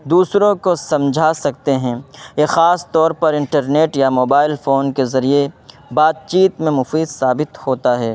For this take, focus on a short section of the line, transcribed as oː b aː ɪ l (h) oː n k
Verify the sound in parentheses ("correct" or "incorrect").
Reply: incorrect